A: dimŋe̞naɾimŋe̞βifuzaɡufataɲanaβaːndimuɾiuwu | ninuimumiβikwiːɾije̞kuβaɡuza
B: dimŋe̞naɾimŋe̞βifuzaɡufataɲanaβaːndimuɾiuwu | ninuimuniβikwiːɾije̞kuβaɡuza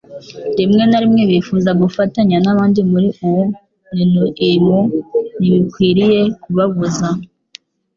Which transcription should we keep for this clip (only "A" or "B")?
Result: B